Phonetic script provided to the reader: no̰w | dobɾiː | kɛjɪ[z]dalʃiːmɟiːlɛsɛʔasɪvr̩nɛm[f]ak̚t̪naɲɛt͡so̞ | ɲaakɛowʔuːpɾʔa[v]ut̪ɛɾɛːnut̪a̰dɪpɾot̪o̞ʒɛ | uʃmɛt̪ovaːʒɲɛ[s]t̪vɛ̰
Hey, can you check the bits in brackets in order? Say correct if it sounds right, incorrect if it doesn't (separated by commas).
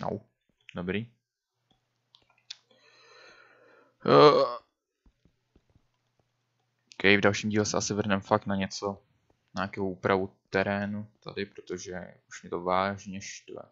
incorrect, correct, correct, incorrect